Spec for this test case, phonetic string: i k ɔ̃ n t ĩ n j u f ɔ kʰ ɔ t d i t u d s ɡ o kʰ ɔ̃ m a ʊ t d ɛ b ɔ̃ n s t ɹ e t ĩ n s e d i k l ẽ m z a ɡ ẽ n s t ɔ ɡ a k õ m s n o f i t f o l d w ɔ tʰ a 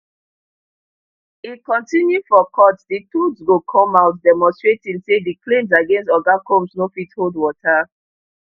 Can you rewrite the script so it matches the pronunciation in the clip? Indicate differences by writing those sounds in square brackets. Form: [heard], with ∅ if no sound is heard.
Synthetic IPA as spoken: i k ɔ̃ n t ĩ n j u f ɔ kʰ ɔ t d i t u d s ɡ o kʰ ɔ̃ m a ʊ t d ɛ [m] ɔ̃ n s t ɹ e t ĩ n s e d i k l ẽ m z a ɡ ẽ n s t ɔ ɡ a k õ m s n o f i t [h] o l d w ɔ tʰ a